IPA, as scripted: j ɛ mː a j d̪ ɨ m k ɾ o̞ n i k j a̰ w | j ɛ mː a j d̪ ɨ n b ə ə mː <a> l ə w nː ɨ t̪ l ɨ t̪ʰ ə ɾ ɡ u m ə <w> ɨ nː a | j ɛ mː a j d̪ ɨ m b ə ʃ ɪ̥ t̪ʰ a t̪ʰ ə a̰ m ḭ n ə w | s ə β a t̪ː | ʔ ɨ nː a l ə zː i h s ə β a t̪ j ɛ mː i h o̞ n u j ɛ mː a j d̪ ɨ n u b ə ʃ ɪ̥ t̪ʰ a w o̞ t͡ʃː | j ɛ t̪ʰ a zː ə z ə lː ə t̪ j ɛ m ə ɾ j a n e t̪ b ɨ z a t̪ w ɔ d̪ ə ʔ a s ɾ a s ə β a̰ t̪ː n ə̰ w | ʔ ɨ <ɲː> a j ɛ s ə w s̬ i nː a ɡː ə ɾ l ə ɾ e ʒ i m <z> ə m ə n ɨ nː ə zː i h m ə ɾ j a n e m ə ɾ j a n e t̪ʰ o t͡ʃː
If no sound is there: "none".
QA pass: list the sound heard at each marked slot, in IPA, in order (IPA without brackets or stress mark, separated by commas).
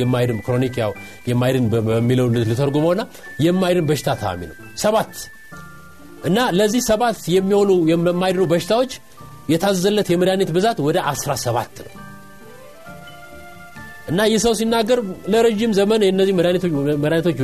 i, w, nː, z